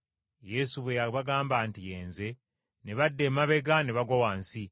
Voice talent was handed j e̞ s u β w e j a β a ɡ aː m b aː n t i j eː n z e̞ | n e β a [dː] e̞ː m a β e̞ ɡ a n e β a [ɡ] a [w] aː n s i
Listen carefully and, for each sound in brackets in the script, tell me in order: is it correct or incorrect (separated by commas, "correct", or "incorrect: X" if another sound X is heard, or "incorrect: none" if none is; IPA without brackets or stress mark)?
correct, correct, correct